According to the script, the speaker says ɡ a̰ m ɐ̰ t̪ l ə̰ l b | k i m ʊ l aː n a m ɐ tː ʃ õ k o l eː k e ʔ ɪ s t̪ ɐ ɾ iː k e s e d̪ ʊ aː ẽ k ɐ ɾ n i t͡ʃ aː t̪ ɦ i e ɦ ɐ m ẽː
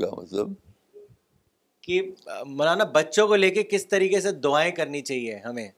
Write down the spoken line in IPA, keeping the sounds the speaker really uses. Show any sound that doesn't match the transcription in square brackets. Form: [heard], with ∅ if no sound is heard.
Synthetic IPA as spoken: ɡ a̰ m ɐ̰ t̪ l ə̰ [∅] b | k i m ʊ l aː n a [b] ɐ tː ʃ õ k o l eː k e [k] ɪ s t̪ ɐ ɾ iː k e s e d̪ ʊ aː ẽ k ɐ ɾ n i t͡ʃ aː [∅] ɦ i e ɦ ɐ m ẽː